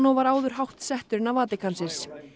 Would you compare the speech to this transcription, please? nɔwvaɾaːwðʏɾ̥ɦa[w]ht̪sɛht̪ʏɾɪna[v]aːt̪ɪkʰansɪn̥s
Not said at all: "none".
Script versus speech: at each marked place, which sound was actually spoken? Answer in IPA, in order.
w, v

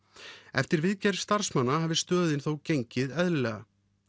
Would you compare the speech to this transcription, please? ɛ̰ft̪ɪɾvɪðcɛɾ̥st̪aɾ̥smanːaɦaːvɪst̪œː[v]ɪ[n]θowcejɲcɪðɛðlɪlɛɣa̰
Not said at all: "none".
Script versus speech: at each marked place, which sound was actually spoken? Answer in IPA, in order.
ð, n

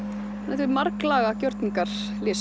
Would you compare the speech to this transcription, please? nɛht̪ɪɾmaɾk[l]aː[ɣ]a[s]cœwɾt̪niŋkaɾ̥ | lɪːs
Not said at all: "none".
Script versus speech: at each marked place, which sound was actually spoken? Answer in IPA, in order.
l, ɣ, none

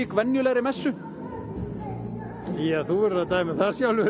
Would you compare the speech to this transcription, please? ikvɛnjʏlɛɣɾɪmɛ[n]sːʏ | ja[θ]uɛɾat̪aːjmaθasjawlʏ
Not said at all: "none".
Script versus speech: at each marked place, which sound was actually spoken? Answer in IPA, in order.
none, θ

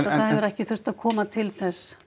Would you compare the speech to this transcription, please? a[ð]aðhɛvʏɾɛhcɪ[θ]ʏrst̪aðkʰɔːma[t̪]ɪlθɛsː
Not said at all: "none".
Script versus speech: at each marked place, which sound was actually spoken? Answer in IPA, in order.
θ, θ, t̪ʰ

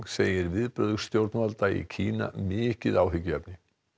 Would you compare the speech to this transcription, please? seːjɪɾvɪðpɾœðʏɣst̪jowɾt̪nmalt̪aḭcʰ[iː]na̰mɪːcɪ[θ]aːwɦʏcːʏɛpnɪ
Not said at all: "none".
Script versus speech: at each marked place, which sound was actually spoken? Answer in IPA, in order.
iː, ð

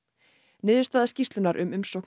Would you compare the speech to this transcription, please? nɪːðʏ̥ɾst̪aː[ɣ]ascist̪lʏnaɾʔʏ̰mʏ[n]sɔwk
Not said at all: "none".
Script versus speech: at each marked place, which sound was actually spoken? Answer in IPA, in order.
ð, m

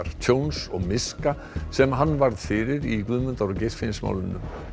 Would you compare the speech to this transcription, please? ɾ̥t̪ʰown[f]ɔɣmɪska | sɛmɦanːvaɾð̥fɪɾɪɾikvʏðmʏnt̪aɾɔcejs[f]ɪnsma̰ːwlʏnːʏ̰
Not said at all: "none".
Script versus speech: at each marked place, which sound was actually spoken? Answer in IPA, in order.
s, f

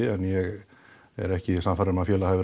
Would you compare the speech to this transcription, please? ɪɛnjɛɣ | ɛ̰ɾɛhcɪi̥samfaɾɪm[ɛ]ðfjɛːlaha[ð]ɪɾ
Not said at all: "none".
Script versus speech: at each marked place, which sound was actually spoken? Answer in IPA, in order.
a, v

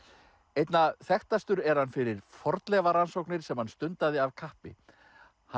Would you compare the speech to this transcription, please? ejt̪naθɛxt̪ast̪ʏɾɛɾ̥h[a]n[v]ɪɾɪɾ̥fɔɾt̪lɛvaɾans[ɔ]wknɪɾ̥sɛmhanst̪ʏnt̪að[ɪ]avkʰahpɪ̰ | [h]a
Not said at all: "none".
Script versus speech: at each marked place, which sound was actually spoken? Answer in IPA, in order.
a, f, o, ɪ, h

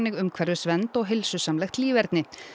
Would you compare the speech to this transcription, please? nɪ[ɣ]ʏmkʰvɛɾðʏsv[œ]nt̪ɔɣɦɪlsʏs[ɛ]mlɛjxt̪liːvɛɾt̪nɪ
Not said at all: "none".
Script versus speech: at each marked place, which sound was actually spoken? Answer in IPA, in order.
ɣ, ɛ, a

